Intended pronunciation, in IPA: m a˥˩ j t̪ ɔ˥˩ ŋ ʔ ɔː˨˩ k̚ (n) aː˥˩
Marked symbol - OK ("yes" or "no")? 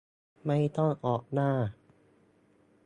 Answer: yes